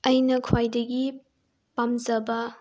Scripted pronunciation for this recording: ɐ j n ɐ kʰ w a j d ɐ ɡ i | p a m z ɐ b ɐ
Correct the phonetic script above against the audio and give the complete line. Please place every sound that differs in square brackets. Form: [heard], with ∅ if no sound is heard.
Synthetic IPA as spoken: ɐ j n ɐ kʰ w a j d ɐ ɡ i | p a m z ɐ b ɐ